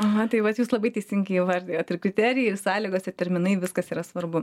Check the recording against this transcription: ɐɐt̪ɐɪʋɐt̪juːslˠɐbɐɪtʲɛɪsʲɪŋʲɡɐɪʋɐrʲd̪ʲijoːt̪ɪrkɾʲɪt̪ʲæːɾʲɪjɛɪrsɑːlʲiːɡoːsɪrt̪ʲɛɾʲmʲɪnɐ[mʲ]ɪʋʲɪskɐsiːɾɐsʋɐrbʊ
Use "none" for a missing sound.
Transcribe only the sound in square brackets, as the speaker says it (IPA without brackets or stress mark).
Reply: none